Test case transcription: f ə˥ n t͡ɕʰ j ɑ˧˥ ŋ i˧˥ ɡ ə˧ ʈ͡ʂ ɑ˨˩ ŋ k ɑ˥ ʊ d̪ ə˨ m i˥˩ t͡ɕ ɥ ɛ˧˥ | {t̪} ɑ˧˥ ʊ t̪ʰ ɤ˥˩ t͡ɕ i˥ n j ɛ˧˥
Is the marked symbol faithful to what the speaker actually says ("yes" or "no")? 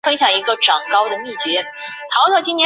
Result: no